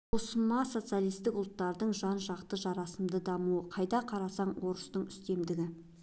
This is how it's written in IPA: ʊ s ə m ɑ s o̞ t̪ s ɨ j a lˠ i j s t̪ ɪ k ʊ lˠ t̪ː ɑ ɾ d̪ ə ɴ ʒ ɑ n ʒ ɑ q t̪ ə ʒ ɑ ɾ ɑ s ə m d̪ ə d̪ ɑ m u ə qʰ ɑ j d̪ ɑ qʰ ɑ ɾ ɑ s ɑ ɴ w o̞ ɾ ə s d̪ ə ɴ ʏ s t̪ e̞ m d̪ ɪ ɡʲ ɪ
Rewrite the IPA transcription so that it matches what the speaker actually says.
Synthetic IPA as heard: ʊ s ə m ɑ s o̞ t̪ s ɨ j a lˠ i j s t̪ ɪ k ʊ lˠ t̪ː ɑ ɾ d̪ ə ɴ ʒ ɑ n ʒ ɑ q t̪ ə ʒ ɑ ɾ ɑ s ə m d̪ ə d̪ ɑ m u ə qʰ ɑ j d̪ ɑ qʰ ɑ ɾ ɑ s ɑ ɴ w o̞ ɾ ə s t̪ ə ɴ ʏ s t̪ e̞ m d̪ ɪ ɡʲ ɪ

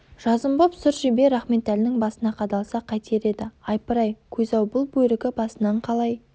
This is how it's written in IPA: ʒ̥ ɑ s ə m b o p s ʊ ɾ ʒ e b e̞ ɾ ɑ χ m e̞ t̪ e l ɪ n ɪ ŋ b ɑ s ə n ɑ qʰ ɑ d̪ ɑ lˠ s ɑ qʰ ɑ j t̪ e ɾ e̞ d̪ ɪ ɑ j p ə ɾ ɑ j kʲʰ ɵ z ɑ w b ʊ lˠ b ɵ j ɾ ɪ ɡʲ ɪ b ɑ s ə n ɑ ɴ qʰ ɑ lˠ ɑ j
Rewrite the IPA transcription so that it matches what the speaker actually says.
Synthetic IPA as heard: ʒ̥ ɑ z ə m b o p s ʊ ɾ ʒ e b e̞ ɾ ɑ χ m e̞ t̪ æ l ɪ n ɪ ŋ b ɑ s ə n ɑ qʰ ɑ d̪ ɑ lˠ s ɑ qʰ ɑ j t̪ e ɾ e̞ d̪ ɪ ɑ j p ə ɾ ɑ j kʲʰ ɵ z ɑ w b ʊ lˠ b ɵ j ɾ ɪ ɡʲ ɪ b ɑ s ə n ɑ ɴ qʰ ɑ lˠ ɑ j

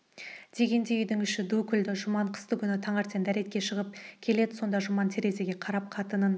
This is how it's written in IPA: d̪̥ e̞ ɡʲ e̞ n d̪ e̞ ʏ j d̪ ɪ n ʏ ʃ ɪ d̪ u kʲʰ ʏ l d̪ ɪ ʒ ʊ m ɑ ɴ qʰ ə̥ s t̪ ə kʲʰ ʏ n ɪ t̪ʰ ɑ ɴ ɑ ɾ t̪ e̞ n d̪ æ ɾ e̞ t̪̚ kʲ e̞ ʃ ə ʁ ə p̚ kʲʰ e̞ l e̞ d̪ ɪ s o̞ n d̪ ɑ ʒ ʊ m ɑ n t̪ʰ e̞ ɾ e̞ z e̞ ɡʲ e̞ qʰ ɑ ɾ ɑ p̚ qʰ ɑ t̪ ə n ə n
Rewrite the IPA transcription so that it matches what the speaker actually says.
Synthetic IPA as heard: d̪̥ e̞ ɡʲ e̞ n d̪ e̞ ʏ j d̪ ɪ ŋ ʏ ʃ ɪ d̪ u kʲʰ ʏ l d̪ ɪ ʒ ʊ m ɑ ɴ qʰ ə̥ s t̪ ə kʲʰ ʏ n ɪ t̪ʰ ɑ ɴ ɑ ɾ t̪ e̞ n d̪ æ ɾ e̞ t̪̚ kʲ e̞ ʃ ə ʁ ə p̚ kʲʰ e̞ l e̞ d̪ ɪ s o̞ n d̪ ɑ ʒ ʊ m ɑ n t̪ʰ e̞ ɾ e̞ z e̞ ɡʲ e̞ qʰ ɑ ɾ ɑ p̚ qʰ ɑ t̪ ə n ə n

